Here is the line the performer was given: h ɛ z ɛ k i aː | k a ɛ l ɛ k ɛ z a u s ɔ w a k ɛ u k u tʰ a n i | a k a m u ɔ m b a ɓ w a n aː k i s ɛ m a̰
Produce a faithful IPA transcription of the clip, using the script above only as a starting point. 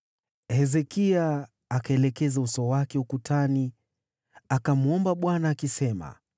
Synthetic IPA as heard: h ɛ z ɛ k i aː | k a ɛ l ɛ k ɛ z a u s ɔ w a k ɛ u k u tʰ a n i | a k a m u ɔ m b a ɓ w a n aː k i s ɛ m a̰